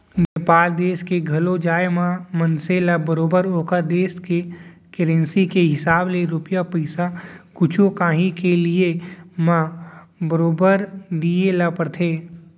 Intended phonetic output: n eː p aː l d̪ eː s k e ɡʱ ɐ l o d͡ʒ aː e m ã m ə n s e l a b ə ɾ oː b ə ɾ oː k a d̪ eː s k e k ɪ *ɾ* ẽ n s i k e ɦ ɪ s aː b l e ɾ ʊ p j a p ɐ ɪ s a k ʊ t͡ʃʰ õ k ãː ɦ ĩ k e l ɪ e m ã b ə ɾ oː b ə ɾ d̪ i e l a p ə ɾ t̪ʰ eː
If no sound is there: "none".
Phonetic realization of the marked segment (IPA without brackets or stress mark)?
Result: ɾ